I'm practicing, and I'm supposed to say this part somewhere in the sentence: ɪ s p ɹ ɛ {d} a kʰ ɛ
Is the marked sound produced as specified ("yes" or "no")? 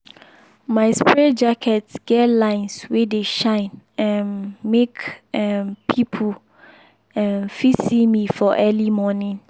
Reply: no